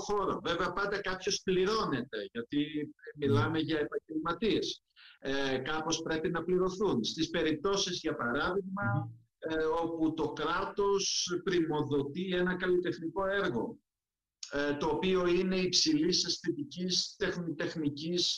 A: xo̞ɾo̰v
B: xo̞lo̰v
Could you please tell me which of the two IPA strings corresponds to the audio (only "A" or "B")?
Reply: A